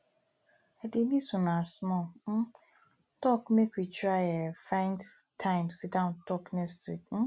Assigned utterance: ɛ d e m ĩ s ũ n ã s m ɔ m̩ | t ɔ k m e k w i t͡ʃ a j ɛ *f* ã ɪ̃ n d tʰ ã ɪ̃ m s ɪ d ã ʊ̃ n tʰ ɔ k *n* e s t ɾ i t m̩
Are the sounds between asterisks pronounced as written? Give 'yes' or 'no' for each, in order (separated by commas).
yes, yes